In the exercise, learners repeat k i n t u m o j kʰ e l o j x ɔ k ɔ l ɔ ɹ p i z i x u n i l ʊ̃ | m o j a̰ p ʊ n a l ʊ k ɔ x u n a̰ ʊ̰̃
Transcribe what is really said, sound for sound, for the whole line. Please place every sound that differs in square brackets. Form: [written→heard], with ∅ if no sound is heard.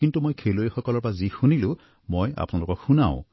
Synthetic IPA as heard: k i n t u m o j kʰ e l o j x ɔ k ɔ l ɔ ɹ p [i→a] z i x u n i l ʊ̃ | m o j a̰ p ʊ n a l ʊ k ɔ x u n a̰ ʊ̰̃

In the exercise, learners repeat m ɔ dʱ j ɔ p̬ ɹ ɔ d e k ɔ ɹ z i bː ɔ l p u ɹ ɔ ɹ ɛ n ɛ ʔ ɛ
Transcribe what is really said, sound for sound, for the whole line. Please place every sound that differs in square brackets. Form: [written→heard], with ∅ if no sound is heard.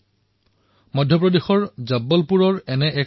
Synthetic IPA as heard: m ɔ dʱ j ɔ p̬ ɹ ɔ d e [k→x] ɔ ɹ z [i→a] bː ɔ l p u ɹ ɔ ɹ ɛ n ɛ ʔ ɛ

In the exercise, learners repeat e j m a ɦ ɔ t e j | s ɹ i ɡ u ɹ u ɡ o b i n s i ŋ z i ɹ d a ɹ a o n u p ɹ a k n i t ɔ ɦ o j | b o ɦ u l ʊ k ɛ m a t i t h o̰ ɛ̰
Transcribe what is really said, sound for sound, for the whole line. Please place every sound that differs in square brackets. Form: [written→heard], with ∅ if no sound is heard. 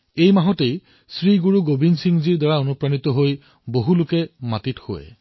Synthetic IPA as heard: e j m a ɦ ɔ t e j | s ɹ i ɡ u ɹ u ɡ o b i n s i ŋ z i ɹ d a ɹ a o n u p ɹ a [k→∅] n i t ɔ ɦ o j | b o ɦ u l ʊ k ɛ m a t i t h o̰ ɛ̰

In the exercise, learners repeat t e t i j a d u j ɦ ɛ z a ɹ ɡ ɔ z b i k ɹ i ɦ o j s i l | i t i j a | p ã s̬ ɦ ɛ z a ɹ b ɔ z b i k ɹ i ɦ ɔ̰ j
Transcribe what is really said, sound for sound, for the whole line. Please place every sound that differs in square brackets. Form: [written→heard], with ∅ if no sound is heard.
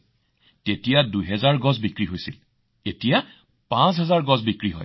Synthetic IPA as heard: t e t i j a d u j ɦ ɛ z a ɹ ɡ ɔ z b i k ɹ i ɦ o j s i l | [i→e] t i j a | p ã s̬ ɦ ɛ z a ɹ [b→ɡ] ɔ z b i k ɹ i ɦ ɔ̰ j

